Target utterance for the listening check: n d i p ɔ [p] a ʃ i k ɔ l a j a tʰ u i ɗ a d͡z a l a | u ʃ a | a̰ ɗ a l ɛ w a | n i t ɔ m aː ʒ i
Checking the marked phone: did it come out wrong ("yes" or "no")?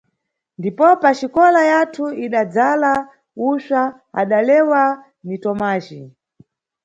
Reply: no